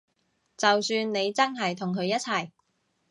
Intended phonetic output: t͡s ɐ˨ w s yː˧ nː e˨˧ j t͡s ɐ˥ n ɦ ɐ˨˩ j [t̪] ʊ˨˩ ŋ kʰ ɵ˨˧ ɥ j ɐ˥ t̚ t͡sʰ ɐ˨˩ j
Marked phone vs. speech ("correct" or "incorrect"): incorrect